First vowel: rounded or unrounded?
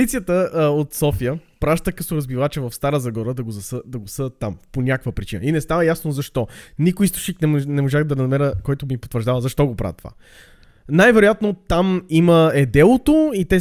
unrounded